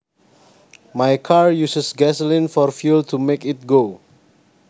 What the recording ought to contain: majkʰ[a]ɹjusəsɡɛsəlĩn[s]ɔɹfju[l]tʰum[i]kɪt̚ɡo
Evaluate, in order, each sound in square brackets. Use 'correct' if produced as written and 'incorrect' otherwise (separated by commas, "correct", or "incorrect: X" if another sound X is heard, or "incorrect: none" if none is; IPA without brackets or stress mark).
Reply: correct, incorrect: f, correct, incorrect: e